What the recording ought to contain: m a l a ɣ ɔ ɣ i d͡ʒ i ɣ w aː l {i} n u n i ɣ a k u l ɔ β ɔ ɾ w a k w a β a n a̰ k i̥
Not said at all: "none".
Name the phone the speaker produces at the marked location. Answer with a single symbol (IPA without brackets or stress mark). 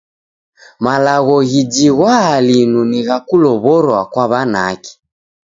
i